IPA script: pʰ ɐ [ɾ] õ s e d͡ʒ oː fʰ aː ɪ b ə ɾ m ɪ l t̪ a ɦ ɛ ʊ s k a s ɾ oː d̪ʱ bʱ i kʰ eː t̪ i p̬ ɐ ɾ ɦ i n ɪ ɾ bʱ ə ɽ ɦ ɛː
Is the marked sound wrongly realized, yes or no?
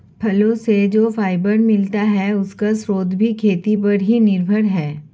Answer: yes